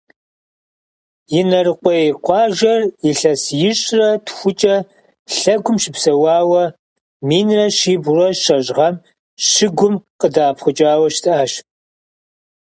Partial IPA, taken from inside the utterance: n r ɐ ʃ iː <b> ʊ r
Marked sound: correct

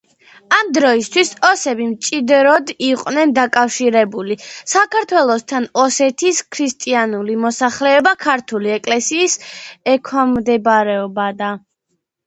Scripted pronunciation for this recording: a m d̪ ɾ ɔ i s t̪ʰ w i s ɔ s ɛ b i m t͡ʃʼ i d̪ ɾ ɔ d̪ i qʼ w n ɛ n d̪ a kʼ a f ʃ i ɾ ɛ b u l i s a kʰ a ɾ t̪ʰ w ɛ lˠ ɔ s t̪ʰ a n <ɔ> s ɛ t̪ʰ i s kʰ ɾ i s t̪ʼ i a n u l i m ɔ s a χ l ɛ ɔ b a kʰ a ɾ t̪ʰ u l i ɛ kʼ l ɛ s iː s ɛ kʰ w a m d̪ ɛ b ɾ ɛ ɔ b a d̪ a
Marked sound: correct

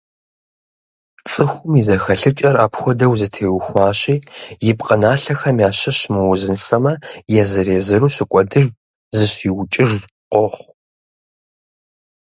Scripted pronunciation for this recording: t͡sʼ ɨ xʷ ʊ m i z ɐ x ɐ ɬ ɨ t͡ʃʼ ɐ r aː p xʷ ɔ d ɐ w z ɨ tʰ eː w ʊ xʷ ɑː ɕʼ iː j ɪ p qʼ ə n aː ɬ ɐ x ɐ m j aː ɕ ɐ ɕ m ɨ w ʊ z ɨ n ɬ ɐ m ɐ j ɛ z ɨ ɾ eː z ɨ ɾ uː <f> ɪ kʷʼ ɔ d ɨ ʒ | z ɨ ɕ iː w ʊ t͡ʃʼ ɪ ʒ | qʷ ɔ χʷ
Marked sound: incorrect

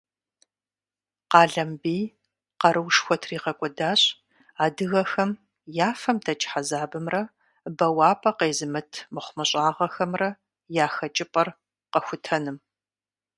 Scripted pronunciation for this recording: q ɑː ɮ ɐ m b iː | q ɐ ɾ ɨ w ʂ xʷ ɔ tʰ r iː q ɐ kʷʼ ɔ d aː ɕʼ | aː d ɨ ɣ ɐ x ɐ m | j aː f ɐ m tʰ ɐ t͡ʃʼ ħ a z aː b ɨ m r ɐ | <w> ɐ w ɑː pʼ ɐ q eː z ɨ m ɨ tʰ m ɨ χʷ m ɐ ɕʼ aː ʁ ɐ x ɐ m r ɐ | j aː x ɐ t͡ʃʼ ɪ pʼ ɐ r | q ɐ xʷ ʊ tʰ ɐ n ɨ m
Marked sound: incorrect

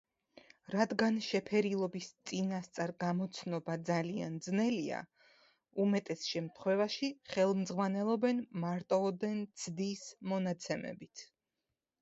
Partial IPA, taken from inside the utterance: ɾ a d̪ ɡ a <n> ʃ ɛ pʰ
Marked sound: correct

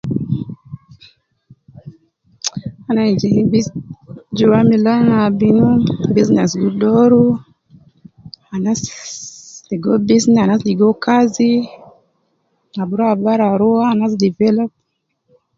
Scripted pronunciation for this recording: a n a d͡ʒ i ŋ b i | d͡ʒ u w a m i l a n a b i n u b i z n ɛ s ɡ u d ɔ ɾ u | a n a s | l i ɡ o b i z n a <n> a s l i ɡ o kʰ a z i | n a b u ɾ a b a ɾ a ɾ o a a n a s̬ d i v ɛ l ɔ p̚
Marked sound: correct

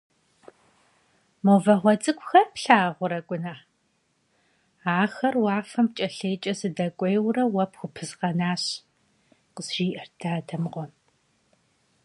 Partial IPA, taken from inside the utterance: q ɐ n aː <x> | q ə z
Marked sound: incorrect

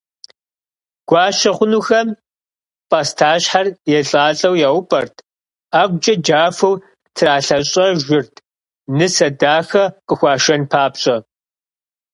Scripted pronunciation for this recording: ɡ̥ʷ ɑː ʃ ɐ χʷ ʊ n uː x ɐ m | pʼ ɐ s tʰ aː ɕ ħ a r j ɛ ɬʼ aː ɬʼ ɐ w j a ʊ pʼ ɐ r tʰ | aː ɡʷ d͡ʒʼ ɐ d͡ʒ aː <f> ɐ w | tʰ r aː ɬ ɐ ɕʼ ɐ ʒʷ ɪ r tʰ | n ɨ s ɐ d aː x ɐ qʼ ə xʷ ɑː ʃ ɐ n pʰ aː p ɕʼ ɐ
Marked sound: correct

